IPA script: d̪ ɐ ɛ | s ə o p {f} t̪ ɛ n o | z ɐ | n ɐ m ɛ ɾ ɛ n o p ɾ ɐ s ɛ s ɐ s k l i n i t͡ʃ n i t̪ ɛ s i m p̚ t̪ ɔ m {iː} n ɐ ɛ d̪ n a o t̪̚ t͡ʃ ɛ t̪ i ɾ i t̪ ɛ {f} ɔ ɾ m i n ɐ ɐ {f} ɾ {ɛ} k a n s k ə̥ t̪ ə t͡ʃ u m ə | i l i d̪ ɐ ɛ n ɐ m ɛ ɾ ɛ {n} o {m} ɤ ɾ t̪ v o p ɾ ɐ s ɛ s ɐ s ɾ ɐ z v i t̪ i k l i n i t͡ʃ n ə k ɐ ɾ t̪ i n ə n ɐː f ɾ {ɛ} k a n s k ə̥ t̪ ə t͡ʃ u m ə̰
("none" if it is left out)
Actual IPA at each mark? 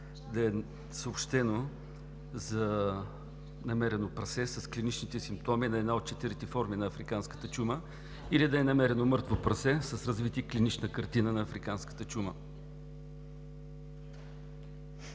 ʃ, i, f, f, i, n, m, i

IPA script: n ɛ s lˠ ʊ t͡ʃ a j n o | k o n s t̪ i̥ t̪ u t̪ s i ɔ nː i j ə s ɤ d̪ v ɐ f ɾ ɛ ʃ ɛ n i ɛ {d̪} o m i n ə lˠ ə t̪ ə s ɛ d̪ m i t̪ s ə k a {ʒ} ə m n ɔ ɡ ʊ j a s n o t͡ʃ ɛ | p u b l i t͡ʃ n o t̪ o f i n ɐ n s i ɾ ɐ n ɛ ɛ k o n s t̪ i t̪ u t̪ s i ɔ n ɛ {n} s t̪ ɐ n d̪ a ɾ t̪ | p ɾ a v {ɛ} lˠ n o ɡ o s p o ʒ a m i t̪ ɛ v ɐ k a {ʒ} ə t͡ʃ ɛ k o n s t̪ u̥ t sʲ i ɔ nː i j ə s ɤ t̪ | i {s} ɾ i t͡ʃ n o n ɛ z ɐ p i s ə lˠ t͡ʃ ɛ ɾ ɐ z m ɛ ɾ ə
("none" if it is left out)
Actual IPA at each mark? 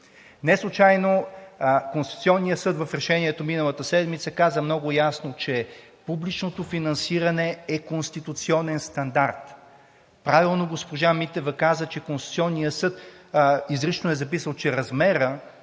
t̪, z, n, i, z, z

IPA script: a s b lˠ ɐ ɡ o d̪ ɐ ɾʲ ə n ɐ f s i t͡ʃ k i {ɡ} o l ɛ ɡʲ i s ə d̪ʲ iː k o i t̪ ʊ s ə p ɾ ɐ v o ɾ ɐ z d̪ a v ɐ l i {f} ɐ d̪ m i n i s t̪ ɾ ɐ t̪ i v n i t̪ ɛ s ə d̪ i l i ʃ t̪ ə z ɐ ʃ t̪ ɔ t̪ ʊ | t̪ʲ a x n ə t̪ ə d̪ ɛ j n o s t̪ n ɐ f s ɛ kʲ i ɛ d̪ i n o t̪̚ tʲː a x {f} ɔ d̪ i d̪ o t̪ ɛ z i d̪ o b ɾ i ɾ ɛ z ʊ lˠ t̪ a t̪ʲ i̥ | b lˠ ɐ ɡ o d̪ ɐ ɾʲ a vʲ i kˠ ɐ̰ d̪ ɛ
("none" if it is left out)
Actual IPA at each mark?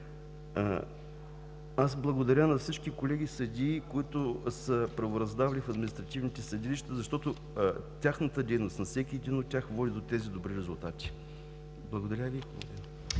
k, f, v

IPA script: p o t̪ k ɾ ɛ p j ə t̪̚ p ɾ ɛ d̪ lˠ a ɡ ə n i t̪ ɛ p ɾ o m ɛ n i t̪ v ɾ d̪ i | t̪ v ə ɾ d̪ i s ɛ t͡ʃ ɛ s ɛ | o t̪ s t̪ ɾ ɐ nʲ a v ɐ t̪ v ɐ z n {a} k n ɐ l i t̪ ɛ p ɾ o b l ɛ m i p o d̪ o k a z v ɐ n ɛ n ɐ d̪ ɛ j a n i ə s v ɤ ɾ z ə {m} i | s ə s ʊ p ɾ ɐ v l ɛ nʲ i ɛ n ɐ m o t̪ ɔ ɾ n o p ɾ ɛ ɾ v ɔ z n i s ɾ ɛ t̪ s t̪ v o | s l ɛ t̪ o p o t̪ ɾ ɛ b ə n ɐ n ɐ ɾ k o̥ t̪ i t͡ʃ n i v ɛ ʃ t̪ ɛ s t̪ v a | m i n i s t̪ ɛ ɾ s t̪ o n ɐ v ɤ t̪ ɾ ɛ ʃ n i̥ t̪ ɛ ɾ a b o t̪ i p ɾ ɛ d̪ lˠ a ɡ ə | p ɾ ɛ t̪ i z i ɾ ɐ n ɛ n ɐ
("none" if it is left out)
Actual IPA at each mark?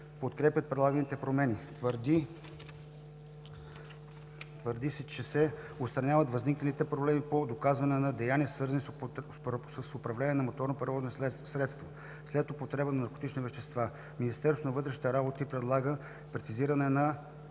i, n

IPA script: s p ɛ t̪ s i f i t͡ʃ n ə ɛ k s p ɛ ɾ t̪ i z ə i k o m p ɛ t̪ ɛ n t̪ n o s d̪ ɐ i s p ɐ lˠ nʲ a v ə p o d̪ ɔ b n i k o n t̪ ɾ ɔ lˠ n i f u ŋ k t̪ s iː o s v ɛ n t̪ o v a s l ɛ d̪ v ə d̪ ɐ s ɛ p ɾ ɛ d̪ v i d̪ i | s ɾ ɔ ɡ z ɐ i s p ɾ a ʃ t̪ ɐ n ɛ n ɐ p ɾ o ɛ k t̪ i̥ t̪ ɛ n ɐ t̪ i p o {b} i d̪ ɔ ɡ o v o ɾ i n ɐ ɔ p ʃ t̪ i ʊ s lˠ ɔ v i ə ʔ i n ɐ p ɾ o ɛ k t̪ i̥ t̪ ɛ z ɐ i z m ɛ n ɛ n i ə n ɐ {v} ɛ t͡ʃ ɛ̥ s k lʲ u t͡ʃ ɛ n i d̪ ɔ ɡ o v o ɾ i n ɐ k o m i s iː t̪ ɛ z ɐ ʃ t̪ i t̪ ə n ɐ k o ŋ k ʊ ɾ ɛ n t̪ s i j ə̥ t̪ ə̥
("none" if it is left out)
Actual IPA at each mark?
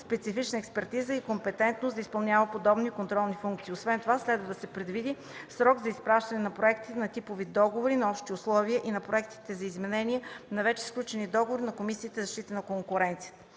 v, v

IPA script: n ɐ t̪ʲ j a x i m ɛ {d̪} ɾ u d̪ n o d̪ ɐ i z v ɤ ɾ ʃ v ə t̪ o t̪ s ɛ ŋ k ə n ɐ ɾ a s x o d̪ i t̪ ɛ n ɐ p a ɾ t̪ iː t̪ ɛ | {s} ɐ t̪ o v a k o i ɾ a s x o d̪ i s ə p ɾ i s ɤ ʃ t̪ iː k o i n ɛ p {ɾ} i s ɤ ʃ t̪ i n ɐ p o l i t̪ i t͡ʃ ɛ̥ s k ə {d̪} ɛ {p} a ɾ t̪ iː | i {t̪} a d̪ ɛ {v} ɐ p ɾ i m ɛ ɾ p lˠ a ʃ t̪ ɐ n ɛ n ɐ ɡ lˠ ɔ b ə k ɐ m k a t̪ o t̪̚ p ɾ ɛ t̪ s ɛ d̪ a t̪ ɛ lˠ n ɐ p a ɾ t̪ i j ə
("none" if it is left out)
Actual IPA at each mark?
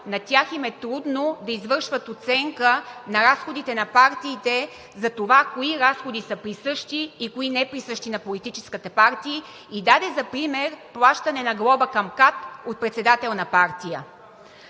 t̪, z, ɾ, t̪, p, d̪, z

